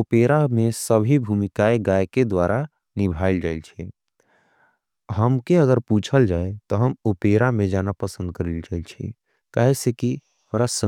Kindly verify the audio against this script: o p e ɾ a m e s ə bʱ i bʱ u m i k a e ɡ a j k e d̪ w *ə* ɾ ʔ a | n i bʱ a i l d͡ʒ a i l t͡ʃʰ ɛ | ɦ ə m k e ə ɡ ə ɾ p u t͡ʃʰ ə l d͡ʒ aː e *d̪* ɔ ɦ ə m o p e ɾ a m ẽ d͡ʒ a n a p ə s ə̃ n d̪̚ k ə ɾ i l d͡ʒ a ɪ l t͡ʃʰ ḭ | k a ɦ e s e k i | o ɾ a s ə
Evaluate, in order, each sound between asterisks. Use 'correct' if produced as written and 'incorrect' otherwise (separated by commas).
incorrect, incorrect